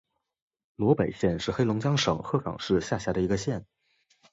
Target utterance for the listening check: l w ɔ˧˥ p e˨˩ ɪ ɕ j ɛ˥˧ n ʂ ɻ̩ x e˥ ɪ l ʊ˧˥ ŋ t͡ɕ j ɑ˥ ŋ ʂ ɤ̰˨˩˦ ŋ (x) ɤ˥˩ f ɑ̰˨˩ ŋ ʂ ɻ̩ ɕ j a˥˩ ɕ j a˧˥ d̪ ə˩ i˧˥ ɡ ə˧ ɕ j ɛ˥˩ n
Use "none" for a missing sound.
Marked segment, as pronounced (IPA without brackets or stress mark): x